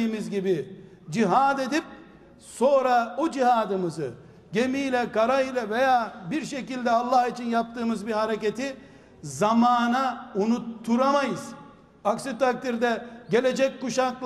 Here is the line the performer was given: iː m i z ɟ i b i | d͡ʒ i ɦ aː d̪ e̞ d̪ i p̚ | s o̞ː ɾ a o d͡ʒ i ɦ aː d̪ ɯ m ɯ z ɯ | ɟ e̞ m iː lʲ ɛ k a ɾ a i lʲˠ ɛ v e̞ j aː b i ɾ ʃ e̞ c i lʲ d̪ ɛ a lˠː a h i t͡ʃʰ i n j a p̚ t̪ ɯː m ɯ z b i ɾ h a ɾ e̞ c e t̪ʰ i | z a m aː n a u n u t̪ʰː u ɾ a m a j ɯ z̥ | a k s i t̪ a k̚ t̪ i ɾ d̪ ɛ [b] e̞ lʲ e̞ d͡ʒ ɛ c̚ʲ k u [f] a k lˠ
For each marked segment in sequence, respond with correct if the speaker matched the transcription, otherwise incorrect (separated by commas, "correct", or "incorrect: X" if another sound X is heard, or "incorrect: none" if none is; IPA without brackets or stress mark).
incorrect: ɟ, incorrect: ʃ